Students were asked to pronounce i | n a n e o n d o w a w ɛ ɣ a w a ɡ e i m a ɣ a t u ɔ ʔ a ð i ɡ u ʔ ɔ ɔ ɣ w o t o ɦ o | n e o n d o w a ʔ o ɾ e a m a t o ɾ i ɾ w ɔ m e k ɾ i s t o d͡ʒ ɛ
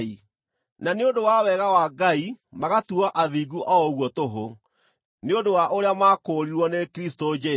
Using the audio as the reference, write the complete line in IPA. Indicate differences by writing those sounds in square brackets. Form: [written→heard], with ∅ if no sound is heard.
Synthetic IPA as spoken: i | n a n e o n d o w a w ɛ ɣ a w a ɡ [e→a] i m a ɣ a t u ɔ ʔ a ð i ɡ u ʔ ɔ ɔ ɣ w [o→ɔ] t o ɦ o | n e o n d o w a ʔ o ɾ e a m a [t→k] o ɾ i ɾ w ɔ [m→n] e k ɾ i s t o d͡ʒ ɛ